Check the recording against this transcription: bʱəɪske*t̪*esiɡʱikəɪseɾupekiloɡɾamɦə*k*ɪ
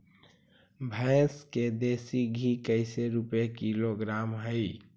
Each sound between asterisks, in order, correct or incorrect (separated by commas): incorrect, incorrect